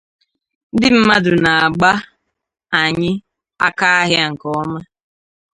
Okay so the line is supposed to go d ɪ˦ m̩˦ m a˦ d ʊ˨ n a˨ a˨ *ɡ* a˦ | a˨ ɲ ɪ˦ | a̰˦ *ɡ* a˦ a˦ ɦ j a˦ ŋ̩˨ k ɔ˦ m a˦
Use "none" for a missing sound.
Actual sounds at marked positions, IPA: ɡ͡b, k

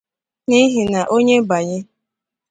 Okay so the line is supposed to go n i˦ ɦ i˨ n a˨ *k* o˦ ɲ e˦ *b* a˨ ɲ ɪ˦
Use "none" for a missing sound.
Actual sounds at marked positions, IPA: ʔ, b

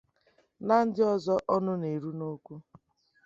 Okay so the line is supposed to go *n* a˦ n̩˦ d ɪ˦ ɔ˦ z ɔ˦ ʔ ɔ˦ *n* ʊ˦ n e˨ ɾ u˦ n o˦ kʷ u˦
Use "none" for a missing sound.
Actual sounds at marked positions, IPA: n, n

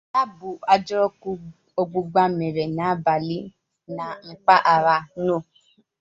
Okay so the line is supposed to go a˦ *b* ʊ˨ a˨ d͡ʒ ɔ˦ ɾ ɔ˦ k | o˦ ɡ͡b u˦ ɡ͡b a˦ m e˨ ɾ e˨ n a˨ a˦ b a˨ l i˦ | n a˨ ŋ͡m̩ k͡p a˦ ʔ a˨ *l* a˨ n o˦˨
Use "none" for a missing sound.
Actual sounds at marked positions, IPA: b, ɾ

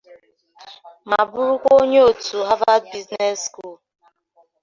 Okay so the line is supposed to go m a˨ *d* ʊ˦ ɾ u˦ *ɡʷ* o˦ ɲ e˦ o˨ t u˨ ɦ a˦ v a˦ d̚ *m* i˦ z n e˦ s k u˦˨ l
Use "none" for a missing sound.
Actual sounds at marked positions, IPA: b, kʷ, b

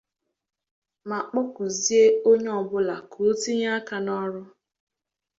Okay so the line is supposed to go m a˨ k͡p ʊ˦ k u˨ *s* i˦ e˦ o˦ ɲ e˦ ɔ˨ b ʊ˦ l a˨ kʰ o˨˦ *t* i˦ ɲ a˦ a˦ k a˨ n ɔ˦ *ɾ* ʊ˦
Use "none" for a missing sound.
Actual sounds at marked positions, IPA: z, t, ɾ

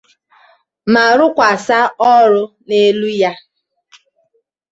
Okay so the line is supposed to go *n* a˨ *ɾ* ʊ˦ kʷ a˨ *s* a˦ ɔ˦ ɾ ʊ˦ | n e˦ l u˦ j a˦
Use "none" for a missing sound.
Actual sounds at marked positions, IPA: m, ɾ, s

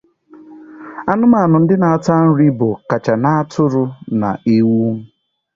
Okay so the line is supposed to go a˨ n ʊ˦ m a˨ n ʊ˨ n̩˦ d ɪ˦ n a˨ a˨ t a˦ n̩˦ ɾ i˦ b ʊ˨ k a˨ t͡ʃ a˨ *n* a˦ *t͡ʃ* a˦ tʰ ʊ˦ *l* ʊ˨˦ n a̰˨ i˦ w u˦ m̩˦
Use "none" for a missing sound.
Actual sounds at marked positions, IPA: n, none, ɾ

